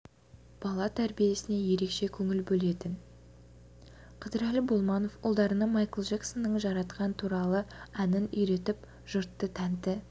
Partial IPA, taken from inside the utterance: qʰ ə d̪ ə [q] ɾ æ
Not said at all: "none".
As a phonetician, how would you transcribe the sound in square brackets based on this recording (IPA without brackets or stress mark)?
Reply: none